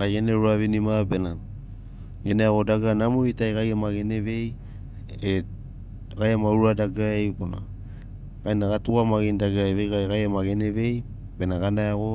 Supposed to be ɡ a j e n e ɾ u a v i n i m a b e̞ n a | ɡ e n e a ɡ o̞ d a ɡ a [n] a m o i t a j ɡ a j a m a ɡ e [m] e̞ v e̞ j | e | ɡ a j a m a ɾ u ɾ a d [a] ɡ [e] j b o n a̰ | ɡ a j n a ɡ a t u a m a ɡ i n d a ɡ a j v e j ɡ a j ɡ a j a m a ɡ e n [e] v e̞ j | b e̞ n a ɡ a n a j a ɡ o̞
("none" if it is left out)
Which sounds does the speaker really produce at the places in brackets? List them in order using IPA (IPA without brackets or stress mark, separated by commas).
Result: n, n, a, a, e